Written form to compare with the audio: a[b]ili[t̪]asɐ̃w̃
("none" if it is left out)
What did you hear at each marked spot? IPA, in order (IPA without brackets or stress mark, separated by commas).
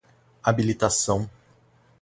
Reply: b, t̪